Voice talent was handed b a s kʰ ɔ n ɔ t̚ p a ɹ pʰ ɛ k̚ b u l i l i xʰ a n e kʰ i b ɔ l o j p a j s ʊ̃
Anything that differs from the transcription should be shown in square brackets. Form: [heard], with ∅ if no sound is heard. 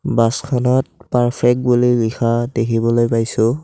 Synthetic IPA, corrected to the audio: b a s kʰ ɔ n ɔ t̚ p a ɹ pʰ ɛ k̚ b u l i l i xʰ a [d] e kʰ i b ɔ l o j p a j s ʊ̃